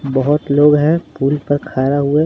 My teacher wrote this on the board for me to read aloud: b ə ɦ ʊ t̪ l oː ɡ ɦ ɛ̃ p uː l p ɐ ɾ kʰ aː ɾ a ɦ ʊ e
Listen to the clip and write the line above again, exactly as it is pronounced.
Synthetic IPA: b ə ɦ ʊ t̪ l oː ɡ ɦ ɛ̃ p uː l p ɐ ɾ kʰ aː ɾ a ɦ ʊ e

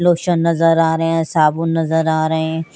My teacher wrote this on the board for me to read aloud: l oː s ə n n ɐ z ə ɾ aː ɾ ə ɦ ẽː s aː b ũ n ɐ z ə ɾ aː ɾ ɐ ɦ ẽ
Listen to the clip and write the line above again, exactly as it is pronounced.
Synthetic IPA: l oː ʃ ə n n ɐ z ə ɾ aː ɾ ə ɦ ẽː s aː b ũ n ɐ z ə ɾ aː ɾ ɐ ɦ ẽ

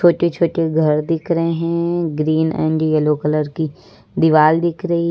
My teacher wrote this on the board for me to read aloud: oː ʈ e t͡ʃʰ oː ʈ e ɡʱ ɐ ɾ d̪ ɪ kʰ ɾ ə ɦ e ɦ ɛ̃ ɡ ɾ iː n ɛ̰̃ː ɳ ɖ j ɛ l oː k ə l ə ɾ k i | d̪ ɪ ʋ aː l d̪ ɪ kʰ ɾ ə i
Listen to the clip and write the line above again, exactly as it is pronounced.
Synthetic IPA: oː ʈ e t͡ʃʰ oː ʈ e ɡʱ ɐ ɾ d̪ ɪ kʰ ɾ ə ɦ e ɦ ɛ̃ ɡ ɾ iː n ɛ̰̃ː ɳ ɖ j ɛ l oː k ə l ə ɾ k i | d̪ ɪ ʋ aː l d̪ ɪ kʰ ɾ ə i

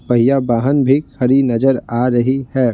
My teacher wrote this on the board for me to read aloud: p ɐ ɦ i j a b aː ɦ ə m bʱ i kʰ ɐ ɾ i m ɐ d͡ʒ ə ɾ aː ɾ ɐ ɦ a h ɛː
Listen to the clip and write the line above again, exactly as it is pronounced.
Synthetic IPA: p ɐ ɦ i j a b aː ɦ ə n bʱ i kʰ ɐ ɾ i n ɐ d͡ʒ ə ɾ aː ɾ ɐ ɦ i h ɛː

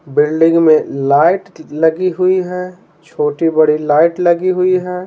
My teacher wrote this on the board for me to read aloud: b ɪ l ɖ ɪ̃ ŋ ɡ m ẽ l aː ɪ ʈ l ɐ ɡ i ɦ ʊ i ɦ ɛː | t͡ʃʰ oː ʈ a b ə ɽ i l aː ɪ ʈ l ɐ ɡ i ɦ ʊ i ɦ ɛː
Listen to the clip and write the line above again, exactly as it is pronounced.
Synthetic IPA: b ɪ l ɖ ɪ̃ ŋ ɡ m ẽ l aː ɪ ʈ l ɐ ɡ i ɦ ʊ i ɦ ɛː | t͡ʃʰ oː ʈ i b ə ɽ i l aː ɪ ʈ l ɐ ɡ i ɦ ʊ i ɦ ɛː

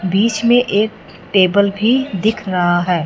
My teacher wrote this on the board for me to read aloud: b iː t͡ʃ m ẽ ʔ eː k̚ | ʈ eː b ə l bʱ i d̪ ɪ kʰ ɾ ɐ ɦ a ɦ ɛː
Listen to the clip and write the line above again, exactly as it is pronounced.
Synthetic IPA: b iː t͡ʃ m ẽ ʔ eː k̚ | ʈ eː b ə l bʱ i d̪ ɪ kʰ ɾ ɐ ɦ a ɦ ɛː

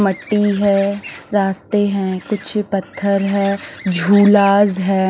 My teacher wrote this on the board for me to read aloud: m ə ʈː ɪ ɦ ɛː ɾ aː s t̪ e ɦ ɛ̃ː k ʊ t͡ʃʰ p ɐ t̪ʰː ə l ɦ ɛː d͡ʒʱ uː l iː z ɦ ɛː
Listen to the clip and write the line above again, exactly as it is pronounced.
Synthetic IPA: m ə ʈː i ɦ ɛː ɾ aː s t̪ e ɦ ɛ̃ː k ʊ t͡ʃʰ p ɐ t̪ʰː ə ɾ ɦ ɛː d͡ʒʱ uː l aː z ɦ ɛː

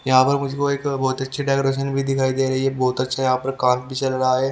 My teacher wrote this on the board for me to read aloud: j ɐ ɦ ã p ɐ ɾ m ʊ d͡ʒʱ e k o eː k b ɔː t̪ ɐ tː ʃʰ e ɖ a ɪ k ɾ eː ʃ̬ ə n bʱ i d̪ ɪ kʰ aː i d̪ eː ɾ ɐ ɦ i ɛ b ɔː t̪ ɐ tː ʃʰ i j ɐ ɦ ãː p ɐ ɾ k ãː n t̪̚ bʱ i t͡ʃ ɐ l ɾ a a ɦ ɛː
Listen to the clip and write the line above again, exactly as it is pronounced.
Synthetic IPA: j ɐ ɦ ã p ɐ ɾ m ʊ d͡ʒʱ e k o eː k b ɔː t̪ ɐ tː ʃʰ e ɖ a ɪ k ɾ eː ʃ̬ ə n bʱ i d̪ ɪ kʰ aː i d̪ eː ɾ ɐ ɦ i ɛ b ɔː t̪ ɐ tː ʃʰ a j ɐ ɦ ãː p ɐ ɾ k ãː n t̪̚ bʱ i t͡ʃ ɐ l ɾ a a ɦ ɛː

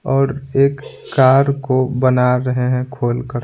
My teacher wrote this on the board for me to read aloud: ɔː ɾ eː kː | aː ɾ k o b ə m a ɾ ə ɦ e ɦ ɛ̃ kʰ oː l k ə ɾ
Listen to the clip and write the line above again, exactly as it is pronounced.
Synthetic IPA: ɔː ɾ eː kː | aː ɾ k o b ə n a ɾ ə ɦ e ɦ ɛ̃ kʰ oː l k ə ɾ

